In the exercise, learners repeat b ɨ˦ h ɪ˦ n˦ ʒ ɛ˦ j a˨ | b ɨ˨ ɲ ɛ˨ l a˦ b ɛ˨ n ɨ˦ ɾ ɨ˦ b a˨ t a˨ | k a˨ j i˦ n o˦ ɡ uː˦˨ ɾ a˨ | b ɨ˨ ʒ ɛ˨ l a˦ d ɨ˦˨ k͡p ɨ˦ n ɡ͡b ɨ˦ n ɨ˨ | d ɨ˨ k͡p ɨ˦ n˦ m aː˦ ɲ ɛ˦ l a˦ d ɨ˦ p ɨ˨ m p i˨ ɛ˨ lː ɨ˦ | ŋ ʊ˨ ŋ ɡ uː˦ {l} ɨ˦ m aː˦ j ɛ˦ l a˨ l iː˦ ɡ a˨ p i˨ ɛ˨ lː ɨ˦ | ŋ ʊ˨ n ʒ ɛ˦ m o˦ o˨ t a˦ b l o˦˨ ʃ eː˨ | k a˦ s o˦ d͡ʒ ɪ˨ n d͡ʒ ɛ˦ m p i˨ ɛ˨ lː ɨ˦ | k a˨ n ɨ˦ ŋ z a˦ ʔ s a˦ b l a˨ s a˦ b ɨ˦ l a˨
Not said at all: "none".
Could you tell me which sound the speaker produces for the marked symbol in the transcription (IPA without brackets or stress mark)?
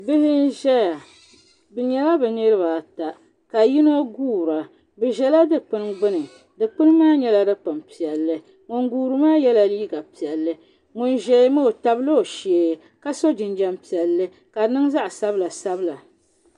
ɾ